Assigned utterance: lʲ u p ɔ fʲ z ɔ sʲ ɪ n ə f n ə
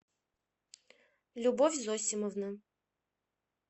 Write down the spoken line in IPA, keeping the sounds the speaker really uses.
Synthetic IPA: lʲ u b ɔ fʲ z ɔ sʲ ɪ m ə v n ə